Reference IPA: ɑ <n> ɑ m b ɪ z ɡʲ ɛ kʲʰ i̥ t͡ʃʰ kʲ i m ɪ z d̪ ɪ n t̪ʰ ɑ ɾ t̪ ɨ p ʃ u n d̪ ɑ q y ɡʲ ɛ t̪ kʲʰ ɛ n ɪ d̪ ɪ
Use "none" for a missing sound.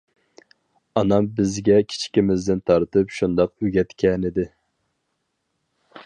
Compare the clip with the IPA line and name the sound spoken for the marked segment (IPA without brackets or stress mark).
n